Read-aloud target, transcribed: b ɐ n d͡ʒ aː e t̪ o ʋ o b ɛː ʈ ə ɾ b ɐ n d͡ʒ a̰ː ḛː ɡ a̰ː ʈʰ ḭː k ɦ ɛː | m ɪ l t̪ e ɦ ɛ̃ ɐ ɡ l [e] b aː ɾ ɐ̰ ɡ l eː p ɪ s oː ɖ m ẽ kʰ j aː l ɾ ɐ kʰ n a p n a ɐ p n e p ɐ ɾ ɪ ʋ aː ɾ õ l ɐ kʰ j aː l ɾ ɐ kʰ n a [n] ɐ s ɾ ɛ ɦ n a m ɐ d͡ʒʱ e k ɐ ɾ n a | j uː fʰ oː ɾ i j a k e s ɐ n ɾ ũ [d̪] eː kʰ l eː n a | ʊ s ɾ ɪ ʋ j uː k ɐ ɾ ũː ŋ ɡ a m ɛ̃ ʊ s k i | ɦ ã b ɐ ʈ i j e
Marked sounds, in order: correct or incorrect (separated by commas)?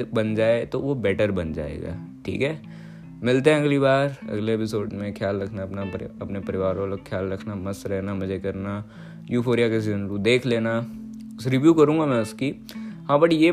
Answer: incorrect, incorrect, correct